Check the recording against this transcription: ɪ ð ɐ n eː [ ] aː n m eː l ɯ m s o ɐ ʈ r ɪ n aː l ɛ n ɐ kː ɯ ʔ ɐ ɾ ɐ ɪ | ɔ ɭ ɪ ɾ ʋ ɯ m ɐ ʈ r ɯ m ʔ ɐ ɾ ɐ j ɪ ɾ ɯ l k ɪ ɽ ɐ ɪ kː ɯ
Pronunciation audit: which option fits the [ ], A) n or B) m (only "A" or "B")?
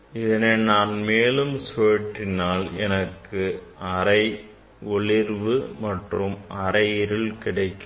A